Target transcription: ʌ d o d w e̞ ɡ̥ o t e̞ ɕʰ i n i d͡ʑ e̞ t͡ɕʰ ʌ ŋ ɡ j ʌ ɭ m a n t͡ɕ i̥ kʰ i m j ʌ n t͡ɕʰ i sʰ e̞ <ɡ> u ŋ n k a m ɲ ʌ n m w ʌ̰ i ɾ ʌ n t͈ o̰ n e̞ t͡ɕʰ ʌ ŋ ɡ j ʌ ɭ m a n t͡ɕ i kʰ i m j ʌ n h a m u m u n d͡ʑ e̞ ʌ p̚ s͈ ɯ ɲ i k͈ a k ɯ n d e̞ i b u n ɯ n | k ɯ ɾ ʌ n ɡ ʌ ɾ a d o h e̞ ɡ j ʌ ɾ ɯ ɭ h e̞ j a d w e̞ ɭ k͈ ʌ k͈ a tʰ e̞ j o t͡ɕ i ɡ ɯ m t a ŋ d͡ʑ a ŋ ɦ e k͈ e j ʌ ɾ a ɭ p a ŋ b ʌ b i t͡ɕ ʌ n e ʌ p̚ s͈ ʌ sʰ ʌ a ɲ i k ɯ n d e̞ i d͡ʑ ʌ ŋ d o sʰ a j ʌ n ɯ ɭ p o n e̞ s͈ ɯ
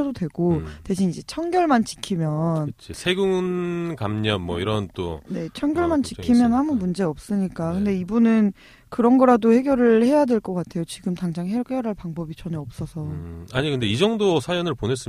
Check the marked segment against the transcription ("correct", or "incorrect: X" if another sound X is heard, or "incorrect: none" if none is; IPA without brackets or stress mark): correct